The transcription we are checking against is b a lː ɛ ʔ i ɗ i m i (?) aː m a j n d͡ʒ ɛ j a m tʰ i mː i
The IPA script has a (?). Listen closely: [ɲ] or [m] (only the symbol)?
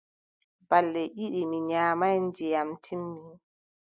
ɲ